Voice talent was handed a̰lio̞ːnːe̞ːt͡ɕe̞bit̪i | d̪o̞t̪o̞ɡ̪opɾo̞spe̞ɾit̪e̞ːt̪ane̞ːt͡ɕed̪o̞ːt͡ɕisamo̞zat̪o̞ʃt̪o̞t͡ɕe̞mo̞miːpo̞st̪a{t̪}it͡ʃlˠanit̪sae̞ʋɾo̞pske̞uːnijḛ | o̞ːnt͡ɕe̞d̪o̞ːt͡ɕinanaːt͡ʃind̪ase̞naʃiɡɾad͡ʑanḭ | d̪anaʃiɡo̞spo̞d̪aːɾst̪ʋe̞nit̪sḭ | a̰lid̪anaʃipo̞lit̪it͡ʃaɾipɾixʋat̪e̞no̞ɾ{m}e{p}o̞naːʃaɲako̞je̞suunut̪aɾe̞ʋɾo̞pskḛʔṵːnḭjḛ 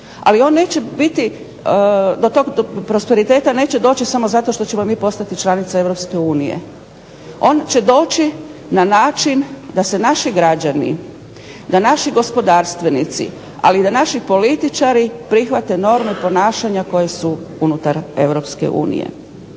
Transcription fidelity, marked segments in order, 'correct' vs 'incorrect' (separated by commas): correct, correct, correct